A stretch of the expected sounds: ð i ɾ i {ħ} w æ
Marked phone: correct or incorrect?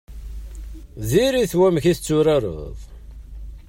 incorrect